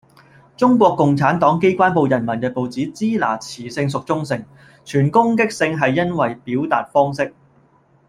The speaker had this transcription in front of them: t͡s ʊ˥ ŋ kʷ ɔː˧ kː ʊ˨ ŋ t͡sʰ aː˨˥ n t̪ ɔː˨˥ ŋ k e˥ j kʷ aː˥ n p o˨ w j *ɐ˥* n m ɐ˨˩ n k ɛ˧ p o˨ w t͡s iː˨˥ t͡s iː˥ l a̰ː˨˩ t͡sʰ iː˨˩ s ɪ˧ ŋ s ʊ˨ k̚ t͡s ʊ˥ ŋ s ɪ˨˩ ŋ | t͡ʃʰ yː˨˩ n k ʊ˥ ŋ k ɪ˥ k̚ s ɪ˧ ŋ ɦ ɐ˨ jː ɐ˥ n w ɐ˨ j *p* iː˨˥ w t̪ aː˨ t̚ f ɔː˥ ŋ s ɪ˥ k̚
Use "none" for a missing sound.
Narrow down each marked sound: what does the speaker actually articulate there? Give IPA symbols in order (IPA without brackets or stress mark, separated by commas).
ɐ˨˩, p